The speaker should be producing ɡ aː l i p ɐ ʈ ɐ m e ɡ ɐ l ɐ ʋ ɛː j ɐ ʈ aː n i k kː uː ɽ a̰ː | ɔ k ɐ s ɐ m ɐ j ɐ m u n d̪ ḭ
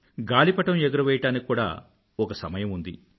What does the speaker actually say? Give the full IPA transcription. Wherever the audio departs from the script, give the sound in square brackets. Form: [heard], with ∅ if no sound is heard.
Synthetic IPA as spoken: ɡ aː l i p ɐ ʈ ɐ m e ɡ ɐ [ɾ] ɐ ʋ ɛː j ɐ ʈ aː n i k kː uː ɽ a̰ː | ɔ k ɐ s ɐ m ɐ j ɐ m u n d̪ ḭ